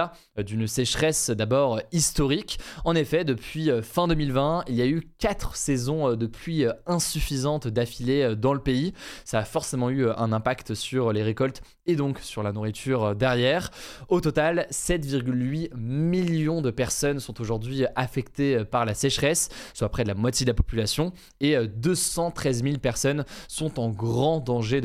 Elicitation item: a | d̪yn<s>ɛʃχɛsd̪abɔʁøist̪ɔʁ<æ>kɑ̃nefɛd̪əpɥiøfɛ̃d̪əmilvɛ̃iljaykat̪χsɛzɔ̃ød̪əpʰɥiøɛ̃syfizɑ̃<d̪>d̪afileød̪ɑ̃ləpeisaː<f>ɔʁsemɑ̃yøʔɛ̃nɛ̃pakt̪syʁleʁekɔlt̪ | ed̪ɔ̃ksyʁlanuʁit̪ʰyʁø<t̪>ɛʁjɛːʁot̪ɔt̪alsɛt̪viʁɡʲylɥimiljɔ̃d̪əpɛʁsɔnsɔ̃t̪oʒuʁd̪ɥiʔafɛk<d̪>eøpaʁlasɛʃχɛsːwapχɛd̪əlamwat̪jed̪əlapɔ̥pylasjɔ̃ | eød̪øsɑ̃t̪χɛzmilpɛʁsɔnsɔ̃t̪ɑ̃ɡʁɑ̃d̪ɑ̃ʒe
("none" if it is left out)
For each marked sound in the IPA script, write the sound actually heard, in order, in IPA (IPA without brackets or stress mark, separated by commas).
s, i, t̪, f, d̪, t̪